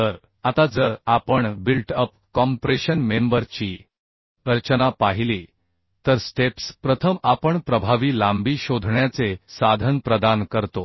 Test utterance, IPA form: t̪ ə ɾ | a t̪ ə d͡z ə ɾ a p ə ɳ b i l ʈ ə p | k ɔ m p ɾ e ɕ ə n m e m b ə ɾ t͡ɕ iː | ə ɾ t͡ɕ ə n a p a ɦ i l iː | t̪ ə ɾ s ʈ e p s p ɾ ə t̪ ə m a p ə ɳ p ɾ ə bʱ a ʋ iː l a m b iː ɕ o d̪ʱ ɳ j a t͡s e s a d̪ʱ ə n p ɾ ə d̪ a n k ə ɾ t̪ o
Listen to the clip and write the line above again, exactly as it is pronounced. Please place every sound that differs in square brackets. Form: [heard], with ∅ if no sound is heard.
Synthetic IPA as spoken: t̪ ə ɾ | a t̪ [a] d͡z ə ɾ a p ə ɳ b i l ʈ ə p | k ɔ m p ɾ e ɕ ə n m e m b ə ɾ t͡ɕ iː | ə ɾ t͡ɕ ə n a p a ɦ i l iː | t̪ ə ɾ s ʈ e p s p ɾ ə [t̪ʰ] ə m a p ə ɳ p ɾ ə bʱ a ʋ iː l a m b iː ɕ o d̪ʱ ɳ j a t͡s e s a d̪ʱ ə n p ɾ ə d̪ a n k ə ɾ t̪ o